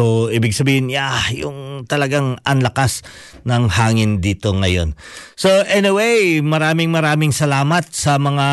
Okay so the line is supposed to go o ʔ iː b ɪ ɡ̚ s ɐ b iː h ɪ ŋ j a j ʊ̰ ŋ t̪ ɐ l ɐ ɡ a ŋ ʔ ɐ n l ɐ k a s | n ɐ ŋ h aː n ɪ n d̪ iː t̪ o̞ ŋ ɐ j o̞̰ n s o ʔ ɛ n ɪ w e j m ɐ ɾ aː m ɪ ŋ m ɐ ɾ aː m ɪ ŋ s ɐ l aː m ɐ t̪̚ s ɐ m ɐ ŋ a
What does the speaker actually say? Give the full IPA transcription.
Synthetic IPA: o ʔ iː b ɪ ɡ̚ s ɐ b iː h ɪ n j a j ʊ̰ ŋ t̪ ɐ l ɐ ɡ a ŋ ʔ ɐ n l ɐ k a s | n ɐ ŋ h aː ŋ ɪ n d̪ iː t̪ o̞ ŋ ɐ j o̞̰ n s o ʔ ɛ n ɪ w e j m ɐ ɾ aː m ɪ ŋ m ɐ ɾ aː m ɪ ŋ s ɐ l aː m ɐ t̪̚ s ɐ m ɐ ŋ a